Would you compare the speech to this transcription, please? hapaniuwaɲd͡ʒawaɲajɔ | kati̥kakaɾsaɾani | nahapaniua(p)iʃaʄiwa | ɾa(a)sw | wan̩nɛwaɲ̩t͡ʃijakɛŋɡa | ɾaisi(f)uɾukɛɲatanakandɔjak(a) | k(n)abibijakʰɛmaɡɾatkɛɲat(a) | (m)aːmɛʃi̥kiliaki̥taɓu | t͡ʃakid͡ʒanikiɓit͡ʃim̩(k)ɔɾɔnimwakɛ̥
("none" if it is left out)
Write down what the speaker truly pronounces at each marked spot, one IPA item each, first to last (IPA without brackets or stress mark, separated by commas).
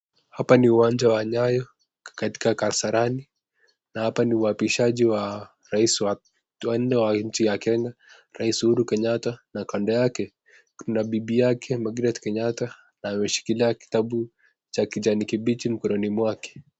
p, i, h, ɛ, n, a, n, k